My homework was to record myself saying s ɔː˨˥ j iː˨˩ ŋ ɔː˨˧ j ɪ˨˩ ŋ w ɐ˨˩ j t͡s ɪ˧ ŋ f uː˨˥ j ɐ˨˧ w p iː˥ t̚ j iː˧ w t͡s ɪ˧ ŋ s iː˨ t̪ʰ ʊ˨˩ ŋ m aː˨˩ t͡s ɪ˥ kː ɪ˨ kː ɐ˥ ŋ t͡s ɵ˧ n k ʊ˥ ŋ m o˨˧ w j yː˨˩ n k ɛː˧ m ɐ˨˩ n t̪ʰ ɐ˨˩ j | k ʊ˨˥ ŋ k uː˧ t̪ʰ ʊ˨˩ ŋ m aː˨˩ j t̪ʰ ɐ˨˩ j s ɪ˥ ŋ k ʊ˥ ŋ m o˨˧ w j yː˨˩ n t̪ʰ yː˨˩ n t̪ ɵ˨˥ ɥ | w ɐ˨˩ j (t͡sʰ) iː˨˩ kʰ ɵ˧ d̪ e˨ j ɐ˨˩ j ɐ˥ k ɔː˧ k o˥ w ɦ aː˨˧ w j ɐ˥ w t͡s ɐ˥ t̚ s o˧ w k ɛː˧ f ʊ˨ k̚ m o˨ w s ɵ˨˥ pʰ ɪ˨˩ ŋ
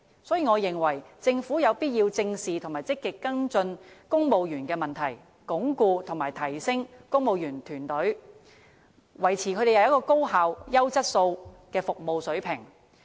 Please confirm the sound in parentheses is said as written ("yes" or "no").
yes